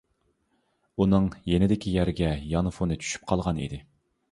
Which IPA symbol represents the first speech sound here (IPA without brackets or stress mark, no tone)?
u